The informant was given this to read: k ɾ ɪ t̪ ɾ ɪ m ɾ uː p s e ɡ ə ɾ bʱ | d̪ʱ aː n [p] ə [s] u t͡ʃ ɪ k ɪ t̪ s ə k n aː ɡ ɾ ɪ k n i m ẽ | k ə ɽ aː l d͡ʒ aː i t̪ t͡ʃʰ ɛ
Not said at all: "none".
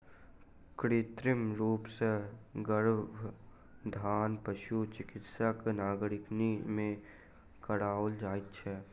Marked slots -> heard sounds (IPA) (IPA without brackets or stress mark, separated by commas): p, ʃ